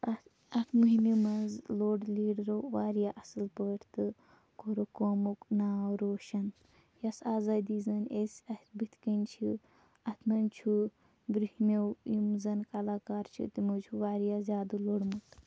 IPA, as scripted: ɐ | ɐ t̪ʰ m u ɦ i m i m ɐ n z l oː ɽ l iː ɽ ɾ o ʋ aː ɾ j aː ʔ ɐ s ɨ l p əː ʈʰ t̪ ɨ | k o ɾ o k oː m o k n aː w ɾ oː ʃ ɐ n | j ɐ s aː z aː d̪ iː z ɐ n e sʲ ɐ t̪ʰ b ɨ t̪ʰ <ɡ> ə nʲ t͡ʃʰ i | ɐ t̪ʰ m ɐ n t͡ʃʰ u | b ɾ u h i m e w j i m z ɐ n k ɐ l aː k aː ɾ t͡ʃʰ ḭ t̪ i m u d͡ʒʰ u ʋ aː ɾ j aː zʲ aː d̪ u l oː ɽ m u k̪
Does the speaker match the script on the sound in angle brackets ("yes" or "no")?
no